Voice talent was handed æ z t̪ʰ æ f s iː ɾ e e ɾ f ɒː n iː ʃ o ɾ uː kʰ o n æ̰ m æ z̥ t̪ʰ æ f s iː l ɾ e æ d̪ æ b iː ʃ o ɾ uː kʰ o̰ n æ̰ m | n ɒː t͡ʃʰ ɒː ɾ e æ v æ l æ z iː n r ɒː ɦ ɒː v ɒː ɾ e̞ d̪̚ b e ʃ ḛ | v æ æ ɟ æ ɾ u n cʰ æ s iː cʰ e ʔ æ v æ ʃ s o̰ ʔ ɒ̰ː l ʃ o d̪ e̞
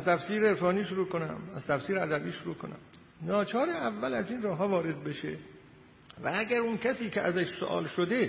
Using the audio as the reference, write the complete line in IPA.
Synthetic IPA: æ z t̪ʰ æ f s iː ɾ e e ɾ f ɒː n iː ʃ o ɾ uː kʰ o n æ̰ m æ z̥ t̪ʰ æ f s iː ɾ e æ d̪ æ b iː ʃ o ɾ uː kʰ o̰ n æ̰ m | n ɒː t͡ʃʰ ɒː ɾ e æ vː æ l æ z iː n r ɒː ɦ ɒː v ɒː ɾ e̞ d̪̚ b e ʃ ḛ | v æ æ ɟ æ ɾ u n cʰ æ s iː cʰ e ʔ æ z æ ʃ s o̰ ʔ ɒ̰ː l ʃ o d̪ e̞